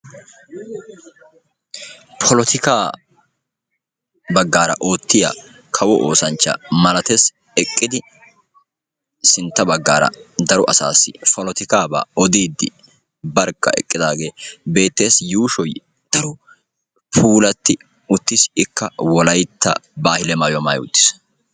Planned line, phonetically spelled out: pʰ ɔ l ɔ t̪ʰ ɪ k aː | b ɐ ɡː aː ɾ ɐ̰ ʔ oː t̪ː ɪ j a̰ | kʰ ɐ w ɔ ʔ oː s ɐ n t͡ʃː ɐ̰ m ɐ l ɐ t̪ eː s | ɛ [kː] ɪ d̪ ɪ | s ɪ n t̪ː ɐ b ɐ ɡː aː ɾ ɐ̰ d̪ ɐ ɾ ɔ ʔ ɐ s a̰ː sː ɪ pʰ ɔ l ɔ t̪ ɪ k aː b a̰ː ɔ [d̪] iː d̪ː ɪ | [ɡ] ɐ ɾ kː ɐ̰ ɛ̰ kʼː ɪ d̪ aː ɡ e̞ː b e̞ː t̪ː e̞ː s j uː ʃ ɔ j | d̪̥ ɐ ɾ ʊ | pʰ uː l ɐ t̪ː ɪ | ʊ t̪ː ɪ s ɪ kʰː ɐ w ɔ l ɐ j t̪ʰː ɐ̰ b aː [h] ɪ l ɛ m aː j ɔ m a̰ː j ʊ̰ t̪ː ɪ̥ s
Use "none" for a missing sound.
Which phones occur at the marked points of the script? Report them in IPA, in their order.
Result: kʼː, d̪, b, h

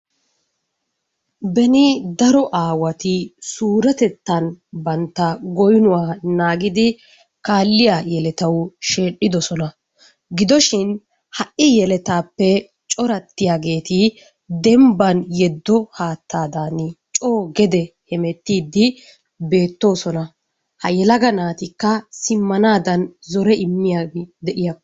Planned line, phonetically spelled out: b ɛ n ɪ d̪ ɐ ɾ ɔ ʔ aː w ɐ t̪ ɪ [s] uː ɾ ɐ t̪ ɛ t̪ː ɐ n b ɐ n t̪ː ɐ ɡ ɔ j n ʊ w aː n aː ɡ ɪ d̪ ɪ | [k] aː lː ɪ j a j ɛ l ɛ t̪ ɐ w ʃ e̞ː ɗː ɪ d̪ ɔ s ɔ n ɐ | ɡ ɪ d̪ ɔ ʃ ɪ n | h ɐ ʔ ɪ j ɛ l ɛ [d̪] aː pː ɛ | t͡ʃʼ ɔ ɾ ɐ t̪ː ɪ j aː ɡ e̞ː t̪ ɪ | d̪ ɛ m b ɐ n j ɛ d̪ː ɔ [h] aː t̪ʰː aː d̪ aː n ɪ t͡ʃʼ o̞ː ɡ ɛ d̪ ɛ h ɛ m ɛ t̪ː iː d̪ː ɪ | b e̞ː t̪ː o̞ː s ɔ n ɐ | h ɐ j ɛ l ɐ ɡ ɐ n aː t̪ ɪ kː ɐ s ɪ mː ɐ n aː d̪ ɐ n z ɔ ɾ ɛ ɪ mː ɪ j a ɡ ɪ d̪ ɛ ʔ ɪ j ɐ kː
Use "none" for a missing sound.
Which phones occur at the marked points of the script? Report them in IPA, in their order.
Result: s, k, t̪, h

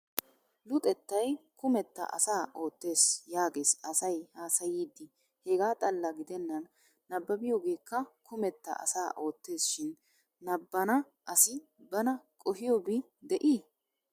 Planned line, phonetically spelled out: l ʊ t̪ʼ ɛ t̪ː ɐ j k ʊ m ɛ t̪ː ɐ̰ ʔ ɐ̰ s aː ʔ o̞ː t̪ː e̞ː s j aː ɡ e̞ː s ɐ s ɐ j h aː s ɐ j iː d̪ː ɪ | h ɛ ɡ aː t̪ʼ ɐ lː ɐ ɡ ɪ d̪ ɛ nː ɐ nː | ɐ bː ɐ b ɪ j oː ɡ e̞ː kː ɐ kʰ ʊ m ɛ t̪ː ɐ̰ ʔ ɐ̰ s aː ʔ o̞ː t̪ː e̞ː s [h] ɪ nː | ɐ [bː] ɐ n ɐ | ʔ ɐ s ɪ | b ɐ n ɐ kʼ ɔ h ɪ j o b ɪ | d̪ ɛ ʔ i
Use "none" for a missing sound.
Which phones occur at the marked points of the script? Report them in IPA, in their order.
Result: ʃ, bː

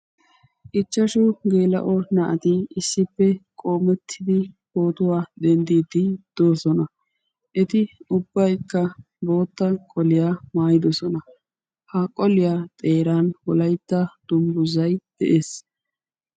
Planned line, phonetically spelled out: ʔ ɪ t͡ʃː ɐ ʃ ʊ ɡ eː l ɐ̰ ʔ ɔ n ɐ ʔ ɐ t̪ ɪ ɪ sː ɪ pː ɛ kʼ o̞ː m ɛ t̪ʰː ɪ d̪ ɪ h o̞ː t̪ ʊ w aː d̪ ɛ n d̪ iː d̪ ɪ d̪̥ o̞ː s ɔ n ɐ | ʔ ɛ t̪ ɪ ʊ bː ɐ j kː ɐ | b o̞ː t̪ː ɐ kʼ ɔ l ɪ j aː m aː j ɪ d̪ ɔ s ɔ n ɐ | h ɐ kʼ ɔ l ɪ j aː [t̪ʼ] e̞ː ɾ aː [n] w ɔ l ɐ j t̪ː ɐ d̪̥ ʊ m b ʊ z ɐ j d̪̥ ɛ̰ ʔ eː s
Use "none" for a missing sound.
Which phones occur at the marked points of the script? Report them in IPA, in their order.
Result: t̪ʼ, n

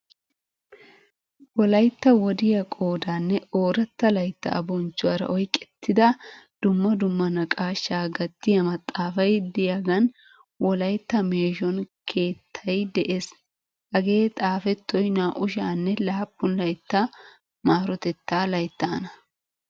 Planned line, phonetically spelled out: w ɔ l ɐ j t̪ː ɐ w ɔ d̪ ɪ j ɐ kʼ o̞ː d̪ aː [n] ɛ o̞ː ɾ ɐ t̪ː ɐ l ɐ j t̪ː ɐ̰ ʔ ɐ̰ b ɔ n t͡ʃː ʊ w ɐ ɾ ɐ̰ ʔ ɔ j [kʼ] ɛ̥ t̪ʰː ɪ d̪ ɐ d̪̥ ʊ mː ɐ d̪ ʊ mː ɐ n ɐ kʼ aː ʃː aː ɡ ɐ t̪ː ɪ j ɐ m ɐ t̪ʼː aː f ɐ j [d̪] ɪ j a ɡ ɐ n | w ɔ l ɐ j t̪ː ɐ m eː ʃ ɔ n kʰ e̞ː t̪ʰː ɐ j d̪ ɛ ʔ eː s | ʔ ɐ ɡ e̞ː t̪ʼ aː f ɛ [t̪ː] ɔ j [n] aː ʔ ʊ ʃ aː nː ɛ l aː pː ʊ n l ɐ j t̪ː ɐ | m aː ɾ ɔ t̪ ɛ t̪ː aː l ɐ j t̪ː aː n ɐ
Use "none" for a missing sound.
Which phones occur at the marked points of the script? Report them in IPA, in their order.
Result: nː, kʼ, d̪, t̪ː, n

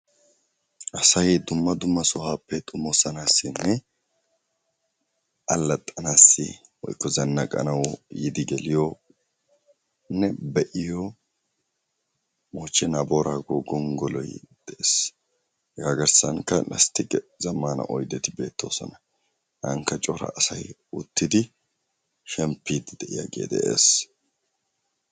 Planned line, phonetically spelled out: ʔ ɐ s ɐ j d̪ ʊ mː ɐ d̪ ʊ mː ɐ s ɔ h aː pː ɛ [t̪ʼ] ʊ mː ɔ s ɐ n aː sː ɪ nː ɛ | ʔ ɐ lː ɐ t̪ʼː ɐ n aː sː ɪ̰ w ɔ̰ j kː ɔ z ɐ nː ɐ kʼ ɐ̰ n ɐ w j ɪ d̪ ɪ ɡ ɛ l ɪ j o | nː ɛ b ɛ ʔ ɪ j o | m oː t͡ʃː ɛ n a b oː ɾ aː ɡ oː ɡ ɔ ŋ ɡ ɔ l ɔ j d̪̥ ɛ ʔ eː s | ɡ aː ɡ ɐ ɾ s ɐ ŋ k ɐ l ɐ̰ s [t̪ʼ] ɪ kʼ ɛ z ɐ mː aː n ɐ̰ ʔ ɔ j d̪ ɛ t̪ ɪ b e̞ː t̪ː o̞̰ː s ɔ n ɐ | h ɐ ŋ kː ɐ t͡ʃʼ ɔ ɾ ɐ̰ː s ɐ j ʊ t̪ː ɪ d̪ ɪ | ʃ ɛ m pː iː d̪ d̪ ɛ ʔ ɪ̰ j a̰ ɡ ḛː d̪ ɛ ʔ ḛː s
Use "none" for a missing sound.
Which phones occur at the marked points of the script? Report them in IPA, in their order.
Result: t̪ʼ, t̪

